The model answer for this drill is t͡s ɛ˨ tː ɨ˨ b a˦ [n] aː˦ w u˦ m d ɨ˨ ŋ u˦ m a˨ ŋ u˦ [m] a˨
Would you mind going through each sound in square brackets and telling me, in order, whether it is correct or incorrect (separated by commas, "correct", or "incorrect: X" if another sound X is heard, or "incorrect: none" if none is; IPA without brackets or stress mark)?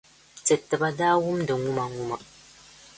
incorrect: d, correct